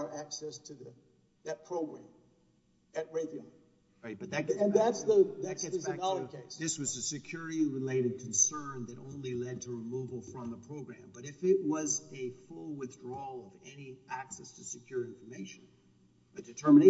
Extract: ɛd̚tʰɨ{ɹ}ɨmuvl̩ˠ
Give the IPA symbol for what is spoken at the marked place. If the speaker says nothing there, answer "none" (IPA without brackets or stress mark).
ɹ